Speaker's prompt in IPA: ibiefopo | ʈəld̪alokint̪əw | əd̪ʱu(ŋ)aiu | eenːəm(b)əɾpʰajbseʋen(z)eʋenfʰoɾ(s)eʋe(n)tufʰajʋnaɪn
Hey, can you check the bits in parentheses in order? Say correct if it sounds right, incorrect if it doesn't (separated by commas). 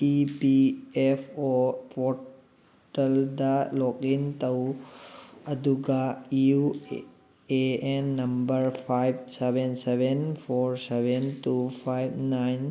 incorrect, correct, incorrect, correct, correct